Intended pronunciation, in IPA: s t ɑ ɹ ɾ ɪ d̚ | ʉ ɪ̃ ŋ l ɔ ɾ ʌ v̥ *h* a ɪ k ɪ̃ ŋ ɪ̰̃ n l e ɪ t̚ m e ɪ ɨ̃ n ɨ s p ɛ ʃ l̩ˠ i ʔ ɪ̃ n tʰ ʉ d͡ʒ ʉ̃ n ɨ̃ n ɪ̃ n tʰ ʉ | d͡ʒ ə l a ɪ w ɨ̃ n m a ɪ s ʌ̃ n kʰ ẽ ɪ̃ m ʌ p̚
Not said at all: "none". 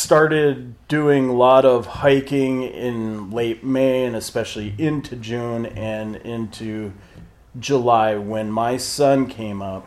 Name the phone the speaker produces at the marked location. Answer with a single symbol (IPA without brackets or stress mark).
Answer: h